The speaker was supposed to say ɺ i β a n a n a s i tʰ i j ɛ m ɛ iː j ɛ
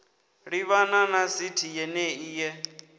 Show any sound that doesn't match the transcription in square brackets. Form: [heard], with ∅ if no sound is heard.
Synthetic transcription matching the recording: ɺ i β a n a n a s i tʰ i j ɛ [n] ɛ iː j ɛ

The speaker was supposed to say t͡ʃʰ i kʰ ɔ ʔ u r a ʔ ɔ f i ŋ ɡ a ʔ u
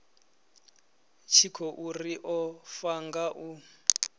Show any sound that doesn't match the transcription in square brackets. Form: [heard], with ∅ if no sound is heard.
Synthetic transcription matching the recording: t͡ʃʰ i kʰ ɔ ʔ u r [i] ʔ ɔ f [a] ŋ ɡ a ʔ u

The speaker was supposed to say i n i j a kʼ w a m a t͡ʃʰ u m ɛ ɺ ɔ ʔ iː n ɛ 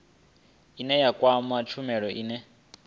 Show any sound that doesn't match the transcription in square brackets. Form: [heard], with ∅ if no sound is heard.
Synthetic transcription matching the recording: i n [ɛ] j a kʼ w a m a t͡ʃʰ u m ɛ ɺ ɔ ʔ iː n ɛ

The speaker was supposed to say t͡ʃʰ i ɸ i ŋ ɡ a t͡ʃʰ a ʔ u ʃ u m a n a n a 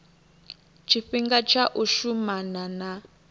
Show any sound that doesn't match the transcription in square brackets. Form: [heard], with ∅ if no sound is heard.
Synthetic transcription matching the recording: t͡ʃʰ i ɸ i ŋ ɡ a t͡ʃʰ a ʔ u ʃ u m a n a n a

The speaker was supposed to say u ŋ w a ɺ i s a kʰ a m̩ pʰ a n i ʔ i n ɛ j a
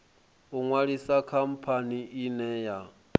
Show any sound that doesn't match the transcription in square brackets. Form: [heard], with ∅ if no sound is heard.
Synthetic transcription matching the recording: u ŋ w a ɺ i s a kʰ a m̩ pʰ a n i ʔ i n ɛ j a

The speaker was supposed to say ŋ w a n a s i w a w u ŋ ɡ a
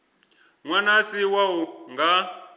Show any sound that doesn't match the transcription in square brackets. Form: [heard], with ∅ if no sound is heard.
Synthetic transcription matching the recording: ŋ w a n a s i w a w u ŋ ɡ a

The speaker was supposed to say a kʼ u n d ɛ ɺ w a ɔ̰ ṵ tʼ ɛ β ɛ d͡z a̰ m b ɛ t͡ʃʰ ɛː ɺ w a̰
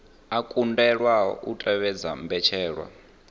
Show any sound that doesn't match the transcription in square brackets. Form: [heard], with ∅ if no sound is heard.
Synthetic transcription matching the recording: a kʼ u n d ɛ ɺ w a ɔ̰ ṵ tʼ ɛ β ɛ d͡z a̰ m b ɛ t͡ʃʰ ɛː ɺ w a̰

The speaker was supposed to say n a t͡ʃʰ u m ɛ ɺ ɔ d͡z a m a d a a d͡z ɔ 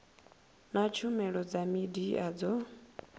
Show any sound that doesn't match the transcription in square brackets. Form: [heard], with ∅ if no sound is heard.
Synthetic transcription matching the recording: n a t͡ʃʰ u m ɛ ɺ ɔ d͡z a m [i] d [i] a d͡z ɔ

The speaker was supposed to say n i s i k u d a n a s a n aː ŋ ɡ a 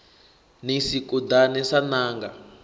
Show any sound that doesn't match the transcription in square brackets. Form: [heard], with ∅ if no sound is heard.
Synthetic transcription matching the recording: n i s i k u d a n [ɛ] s a n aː ŋ ɡ a

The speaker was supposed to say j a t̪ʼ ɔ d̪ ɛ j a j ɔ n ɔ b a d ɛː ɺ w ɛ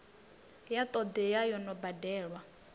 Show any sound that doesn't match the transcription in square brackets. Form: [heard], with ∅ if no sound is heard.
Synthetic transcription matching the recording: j a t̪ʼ ɔ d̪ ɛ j a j ɔ n ɔ b a d ɛː ɺ w [a]

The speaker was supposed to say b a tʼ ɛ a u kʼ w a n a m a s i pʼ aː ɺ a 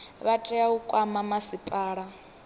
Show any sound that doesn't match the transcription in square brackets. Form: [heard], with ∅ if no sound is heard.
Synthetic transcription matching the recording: [β] a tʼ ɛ a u kʼ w a [m] a m a s i pʼ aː ɺ a

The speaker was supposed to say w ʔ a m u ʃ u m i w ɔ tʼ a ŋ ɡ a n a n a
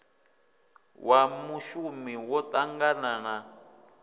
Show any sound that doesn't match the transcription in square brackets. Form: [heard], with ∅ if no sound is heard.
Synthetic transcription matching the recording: w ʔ a m u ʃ u m i w ɔ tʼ a ŋ ɡ a n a n a

